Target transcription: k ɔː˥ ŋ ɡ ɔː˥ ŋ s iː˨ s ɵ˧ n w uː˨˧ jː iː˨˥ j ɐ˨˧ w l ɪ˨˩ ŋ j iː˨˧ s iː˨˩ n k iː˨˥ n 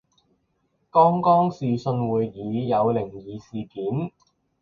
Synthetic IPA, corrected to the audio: k ɔː˥ ŋ k ɔː˥ ŋ s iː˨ s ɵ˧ n w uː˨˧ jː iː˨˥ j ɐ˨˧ w l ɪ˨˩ ŋ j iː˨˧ s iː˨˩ k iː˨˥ n